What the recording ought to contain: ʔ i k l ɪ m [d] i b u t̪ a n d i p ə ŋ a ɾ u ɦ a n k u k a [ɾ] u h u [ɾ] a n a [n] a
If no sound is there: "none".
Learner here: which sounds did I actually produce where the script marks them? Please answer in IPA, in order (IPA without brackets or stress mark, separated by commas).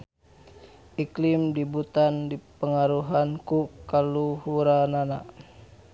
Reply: d, l, ɾ, n